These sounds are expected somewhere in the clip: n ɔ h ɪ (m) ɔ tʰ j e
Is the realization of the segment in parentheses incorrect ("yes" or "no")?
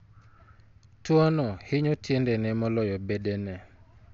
yes